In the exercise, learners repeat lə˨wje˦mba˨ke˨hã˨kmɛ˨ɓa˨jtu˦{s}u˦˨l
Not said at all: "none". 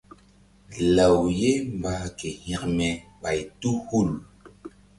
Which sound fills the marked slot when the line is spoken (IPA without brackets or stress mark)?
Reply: h